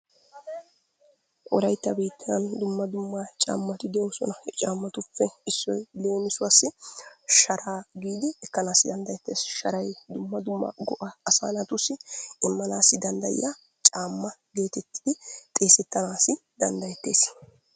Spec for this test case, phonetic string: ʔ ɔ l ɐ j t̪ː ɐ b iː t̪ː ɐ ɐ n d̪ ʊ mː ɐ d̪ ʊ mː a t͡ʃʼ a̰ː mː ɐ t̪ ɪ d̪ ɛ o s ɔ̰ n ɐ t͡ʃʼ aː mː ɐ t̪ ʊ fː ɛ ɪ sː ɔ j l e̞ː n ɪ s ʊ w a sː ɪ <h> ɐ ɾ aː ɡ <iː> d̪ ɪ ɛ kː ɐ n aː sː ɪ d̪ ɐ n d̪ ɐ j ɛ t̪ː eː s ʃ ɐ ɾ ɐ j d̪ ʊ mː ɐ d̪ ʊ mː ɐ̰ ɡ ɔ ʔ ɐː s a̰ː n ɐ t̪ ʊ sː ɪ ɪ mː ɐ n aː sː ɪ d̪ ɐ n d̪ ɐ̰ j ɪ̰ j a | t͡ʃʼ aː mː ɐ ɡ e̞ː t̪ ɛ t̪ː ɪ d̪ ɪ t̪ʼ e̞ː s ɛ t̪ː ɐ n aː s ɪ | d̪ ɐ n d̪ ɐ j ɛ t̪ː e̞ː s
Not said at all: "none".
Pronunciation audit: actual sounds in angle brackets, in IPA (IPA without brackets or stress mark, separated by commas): ʃ, iː